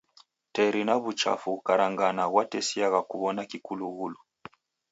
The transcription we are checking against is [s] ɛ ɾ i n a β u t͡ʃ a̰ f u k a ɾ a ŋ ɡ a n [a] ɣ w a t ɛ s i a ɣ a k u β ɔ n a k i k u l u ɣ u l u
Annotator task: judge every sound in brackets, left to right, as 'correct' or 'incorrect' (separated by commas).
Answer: incorrect, correct